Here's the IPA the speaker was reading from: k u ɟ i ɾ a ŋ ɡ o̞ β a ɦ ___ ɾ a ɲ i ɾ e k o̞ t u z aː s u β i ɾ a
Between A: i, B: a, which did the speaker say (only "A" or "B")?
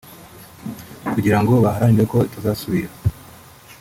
B